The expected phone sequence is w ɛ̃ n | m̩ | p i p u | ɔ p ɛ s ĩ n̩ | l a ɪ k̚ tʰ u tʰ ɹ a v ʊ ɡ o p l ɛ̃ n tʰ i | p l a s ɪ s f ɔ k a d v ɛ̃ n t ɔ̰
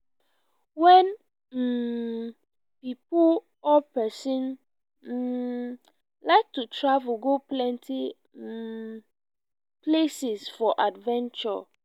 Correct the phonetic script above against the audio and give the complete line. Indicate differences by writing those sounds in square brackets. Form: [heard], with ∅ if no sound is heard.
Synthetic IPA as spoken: w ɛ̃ n | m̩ | p i p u | ɔ p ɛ s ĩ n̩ | l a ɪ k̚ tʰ u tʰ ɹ a v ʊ ɡ o p l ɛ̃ n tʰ i | p l [e] s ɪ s f ɔ [ʔ] a d v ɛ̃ n [t͡ʃ] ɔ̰